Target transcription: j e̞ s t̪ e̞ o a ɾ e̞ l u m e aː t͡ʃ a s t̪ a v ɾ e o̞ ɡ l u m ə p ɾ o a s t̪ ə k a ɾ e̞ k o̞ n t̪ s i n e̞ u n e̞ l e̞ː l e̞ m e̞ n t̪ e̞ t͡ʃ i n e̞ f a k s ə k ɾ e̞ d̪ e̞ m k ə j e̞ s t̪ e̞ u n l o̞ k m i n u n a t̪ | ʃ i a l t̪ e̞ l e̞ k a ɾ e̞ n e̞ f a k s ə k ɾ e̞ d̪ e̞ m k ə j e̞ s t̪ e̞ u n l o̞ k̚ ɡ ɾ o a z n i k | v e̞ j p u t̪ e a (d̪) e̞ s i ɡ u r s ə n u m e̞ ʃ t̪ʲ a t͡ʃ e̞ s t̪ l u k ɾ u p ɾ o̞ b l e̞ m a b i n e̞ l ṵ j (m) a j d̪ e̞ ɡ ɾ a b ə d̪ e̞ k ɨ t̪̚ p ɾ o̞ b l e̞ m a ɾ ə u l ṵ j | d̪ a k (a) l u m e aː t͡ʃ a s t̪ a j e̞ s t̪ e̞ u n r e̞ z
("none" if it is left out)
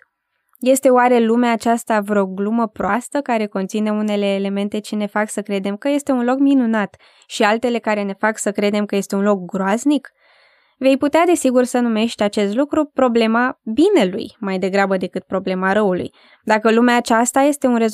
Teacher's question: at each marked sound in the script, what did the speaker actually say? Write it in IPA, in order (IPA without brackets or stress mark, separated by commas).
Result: d̪, m, ə